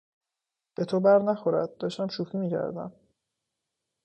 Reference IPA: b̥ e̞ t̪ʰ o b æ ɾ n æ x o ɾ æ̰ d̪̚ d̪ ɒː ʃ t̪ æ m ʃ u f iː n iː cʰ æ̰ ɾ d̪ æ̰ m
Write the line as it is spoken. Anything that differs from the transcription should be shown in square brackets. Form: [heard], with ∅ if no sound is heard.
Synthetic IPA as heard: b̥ e̞ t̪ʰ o b æ ɾ n æ x o ɾ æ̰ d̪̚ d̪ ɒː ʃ t̪ æ m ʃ u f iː [m] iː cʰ æ̰ ɾ d̪ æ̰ m